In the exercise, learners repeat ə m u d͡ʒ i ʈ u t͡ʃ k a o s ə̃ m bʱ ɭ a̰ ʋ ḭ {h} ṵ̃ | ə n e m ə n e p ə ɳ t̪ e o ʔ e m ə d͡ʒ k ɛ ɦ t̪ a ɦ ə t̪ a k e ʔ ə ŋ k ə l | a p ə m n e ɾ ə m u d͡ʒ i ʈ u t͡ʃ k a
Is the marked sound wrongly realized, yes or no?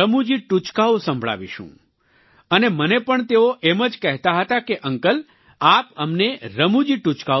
yes